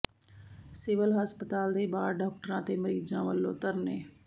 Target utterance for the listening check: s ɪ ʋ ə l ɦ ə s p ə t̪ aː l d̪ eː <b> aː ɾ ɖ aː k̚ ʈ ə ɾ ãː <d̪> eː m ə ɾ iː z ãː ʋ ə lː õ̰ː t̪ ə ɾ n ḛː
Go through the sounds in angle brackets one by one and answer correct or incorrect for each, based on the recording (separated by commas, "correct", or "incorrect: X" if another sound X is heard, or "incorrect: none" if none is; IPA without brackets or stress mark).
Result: correct, incorrect: t̪